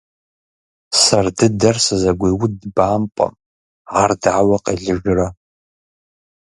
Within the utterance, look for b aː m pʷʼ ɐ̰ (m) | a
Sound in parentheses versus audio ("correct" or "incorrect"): correct